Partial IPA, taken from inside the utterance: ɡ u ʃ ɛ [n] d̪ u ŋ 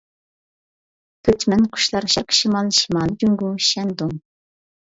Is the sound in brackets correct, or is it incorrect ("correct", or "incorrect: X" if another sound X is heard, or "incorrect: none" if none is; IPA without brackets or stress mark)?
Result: correct